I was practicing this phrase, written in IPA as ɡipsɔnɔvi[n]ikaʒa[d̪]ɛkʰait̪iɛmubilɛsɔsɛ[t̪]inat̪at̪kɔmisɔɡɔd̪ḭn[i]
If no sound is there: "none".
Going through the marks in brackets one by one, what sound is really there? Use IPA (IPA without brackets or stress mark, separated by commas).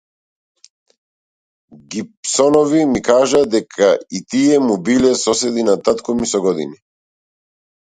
m, d̪, d̪, i